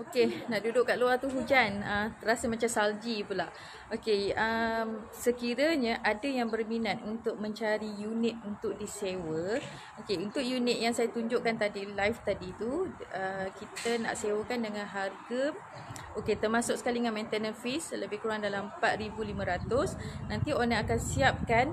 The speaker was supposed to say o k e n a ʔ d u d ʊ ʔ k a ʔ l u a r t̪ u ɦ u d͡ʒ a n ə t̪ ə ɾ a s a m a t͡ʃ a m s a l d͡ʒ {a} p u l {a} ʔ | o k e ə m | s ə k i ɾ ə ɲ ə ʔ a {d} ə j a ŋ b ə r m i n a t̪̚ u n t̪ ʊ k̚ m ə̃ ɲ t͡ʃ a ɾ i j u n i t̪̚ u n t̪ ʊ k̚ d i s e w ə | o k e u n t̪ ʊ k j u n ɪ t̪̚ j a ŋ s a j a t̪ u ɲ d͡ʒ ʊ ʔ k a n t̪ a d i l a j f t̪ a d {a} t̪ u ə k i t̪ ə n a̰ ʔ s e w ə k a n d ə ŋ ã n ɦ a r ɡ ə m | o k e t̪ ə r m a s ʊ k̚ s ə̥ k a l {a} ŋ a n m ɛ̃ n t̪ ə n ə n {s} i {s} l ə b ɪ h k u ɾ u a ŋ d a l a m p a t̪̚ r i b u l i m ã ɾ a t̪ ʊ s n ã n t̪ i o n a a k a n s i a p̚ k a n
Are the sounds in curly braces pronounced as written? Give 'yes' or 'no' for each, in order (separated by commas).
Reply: no, yes, yes, no, no, no, yes